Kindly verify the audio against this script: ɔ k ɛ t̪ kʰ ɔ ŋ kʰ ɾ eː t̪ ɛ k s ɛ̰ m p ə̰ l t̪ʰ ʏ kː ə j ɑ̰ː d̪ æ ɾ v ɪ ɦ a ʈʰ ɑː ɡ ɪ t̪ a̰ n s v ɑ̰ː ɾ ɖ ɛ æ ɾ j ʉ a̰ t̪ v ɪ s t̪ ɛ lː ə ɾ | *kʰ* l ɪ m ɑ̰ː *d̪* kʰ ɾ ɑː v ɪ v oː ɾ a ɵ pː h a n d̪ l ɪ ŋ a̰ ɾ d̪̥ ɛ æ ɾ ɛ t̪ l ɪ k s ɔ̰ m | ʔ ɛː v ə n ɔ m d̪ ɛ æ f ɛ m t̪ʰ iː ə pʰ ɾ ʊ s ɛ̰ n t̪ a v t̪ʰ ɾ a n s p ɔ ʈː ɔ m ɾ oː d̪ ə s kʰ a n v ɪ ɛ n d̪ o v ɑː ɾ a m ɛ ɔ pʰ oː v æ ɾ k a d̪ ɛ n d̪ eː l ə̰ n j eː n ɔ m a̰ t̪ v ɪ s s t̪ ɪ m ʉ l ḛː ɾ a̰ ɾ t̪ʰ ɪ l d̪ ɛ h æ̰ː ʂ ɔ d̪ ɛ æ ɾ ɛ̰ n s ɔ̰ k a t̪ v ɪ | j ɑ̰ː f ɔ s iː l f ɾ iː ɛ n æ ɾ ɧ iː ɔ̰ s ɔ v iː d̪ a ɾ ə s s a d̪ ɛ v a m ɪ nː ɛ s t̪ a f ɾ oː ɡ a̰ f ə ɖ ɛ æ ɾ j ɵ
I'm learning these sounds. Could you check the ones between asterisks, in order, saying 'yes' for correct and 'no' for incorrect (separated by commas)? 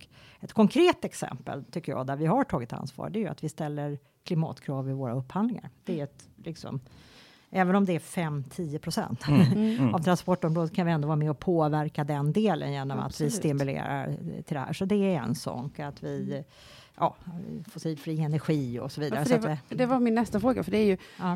yes, no